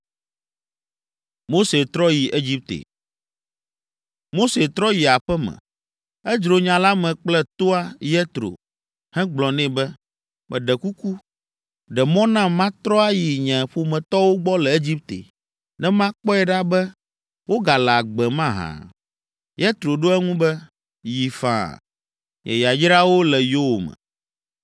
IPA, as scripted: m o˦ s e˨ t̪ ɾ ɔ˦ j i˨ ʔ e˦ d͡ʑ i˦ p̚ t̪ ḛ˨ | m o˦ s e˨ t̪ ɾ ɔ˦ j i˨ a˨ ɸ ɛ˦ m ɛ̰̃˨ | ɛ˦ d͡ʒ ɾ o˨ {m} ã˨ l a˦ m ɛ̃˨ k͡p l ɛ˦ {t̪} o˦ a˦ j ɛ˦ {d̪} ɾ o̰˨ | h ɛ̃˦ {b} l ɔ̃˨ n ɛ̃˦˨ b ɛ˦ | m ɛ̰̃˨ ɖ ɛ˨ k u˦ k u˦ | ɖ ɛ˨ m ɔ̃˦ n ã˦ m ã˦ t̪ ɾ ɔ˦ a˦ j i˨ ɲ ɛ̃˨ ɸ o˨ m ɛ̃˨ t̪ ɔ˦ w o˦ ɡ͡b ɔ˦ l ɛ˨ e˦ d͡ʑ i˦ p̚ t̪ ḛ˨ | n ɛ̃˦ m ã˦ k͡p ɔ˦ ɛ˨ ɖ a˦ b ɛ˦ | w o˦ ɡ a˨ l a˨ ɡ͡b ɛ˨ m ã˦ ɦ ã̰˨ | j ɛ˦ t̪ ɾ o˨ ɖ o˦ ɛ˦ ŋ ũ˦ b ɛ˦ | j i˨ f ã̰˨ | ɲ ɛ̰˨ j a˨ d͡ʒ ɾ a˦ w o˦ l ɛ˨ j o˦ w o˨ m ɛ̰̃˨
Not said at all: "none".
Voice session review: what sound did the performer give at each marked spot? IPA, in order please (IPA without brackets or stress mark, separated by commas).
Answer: ɲ, t̪, t̪, ɡ͡b